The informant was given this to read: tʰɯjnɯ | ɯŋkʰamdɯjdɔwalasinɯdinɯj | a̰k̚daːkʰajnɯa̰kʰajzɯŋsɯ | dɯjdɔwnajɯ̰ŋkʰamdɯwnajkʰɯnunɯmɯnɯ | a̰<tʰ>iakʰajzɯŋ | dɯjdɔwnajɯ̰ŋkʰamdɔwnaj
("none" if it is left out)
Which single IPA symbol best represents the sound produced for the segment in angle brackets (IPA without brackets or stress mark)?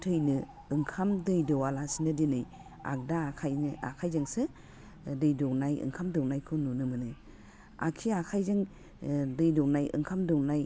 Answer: kʰ